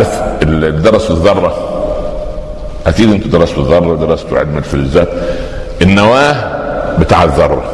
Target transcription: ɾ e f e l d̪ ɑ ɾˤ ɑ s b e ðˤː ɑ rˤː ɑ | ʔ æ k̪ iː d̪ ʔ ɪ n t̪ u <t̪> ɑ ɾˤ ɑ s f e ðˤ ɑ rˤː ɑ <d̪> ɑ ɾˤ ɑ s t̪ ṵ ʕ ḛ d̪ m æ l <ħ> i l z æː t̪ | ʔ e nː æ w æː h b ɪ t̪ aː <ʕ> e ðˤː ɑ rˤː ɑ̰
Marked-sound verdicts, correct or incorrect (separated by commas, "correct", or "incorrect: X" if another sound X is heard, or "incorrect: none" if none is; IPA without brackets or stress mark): incorrect: d̪, correct, incorrect: f, correct